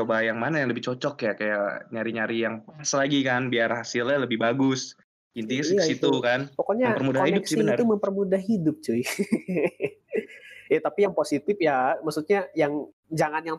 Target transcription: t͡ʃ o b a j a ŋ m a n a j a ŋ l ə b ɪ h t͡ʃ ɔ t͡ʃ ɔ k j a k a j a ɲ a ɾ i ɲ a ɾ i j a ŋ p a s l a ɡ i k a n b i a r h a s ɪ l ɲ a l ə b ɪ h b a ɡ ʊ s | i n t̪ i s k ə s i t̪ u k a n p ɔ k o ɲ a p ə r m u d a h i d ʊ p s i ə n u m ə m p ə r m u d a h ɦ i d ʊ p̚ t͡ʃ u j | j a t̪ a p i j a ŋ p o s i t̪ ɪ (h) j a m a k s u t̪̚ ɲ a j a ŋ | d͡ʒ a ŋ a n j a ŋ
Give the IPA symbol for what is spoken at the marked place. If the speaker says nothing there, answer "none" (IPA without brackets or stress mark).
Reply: f